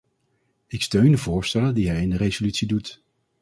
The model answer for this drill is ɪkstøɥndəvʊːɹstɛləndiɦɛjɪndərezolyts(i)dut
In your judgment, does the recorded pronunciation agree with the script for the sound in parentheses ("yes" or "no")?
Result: yes